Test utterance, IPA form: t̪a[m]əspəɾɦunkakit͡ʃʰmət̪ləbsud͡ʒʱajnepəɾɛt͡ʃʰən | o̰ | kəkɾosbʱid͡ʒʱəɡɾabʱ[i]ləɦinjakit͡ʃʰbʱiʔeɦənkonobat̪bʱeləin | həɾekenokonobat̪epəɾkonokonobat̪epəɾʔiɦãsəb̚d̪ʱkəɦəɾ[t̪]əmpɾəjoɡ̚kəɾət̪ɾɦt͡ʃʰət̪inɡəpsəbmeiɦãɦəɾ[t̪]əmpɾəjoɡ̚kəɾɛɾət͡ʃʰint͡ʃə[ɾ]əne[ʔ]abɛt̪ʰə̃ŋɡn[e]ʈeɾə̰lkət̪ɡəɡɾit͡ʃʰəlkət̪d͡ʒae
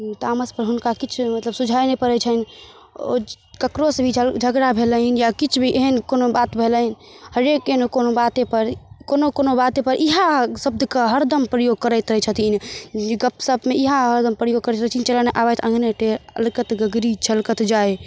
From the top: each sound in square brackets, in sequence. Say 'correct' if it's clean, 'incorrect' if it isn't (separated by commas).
correct, incorrect, incorrect, incorrect, incorrect, correct, correct